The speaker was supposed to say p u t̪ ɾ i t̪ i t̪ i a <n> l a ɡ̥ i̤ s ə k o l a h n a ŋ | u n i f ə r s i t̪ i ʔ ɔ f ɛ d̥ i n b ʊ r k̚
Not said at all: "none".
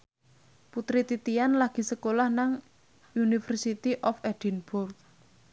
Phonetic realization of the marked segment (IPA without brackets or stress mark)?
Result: n